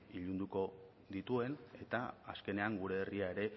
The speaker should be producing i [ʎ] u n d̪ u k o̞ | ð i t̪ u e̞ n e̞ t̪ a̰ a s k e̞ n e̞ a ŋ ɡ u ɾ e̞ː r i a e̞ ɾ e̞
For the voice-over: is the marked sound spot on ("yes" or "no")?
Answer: yes